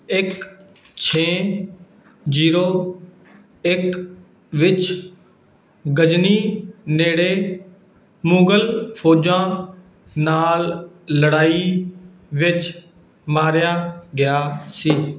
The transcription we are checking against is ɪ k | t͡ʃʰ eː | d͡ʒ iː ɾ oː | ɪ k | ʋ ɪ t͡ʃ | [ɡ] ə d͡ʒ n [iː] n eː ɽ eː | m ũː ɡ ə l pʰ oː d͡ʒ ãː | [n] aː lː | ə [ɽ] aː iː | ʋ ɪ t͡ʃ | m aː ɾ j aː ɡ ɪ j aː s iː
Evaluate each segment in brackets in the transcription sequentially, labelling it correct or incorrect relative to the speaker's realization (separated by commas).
correct, correct, correct, correct